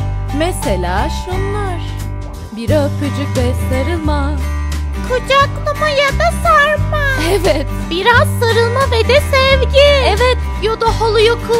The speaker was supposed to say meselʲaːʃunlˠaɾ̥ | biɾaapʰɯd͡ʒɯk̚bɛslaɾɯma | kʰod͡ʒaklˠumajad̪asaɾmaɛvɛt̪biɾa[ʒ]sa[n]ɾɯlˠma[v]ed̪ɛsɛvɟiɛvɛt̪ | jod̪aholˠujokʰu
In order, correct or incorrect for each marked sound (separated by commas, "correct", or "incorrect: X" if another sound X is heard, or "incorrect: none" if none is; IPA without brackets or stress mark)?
incorrect: z, incorrect: none, correct